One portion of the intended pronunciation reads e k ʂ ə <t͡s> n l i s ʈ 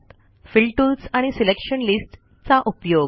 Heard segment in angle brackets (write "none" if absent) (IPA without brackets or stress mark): none